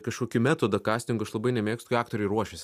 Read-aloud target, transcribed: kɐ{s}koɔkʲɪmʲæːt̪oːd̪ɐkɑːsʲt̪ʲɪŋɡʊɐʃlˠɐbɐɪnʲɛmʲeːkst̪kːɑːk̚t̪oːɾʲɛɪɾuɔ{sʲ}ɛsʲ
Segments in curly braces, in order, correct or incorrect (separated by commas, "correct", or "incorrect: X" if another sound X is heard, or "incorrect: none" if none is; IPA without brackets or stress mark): incorrect: ʃ, incorrect: ʃʲ